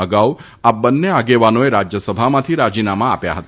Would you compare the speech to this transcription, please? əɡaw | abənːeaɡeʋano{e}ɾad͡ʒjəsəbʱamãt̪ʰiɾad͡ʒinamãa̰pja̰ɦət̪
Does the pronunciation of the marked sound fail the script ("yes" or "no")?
no